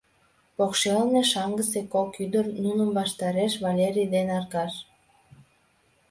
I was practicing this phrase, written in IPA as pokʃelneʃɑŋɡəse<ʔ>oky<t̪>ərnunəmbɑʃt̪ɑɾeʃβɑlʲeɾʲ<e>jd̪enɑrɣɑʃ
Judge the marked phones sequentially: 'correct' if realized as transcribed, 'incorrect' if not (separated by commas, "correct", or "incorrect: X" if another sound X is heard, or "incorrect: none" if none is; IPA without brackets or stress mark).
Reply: incorrect: k, incorrect: d̪, incorrect: i